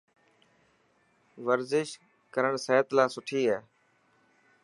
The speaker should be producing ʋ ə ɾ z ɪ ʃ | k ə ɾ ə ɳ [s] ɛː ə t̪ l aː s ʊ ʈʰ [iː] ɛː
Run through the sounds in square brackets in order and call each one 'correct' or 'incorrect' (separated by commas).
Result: correct, correct